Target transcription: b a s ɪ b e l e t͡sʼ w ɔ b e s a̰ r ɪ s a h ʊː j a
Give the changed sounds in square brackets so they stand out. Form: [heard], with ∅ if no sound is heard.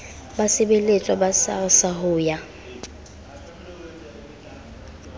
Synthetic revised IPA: b a s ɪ b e l e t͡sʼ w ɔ b [a] s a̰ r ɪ s a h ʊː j a